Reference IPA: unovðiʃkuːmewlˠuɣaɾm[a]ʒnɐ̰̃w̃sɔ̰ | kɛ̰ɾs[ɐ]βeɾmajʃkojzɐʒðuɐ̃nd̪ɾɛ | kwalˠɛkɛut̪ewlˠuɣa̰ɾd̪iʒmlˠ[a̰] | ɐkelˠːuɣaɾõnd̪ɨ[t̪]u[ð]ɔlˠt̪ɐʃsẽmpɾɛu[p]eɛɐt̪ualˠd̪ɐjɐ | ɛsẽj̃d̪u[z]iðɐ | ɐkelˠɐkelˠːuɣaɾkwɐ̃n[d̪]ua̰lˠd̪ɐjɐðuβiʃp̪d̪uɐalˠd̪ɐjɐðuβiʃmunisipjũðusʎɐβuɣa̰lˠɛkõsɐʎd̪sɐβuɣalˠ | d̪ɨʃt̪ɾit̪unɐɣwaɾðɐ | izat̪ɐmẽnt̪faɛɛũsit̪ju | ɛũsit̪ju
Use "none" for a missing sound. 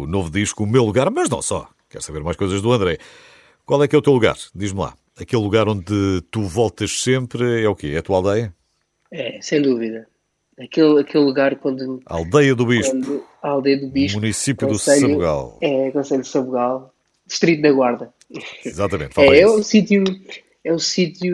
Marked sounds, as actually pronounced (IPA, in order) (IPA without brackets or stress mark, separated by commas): ɐ, ɐ, a̰, t̪, v, k, v, d̪